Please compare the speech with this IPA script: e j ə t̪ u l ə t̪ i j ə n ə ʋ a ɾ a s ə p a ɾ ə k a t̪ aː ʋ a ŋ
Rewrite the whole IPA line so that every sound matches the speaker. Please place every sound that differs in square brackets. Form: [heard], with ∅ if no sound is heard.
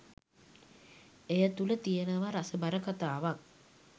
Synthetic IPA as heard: e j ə t̪ u l ə t̪ i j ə n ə ʋ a ɾ a s ə [b] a ɾ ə k a t̪ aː ʋ a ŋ